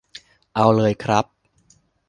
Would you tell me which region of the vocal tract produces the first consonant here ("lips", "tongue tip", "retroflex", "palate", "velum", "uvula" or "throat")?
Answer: throat